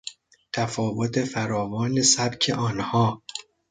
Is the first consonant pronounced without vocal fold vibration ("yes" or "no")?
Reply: yes